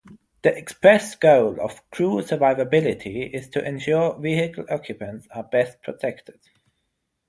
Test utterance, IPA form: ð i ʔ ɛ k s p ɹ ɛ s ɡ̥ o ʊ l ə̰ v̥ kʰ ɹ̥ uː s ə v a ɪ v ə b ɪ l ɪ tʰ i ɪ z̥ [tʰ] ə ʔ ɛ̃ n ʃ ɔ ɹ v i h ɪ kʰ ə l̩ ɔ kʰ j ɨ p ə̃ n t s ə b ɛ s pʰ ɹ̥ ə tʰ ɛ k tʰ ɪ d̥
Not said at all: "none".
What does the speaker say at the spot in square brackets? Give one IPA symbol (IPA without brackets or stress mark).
tʰ